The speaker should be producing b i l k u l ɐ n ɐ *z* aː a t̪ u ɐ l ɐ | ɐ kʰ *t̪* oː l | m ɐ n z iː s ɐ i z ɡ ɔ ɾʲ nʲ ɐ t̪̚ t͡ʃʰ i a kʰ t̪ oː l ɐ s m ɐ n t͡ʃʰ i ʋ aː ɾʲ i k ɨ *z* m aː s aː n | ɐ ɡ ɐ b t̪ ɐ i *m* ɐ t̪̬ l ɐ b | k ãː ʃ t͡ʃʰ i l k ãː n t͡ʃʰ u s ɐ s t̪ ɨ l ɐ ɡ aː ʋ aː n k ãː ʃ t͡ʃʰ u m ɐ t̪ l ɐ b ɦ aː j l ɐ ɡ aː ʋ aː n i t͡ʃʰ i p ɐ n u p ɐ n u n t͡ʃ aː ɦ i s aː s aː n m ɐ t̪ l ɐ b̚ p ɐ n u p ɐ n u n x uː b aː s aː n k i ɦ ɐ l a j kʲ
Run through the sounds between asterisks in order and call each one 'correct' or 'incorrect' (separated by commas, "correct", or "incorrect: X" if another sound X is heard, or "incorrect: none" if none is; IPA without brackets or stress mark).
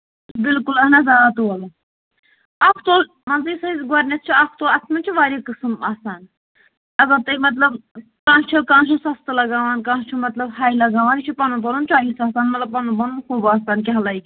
correct, correct, incorrect: s, correct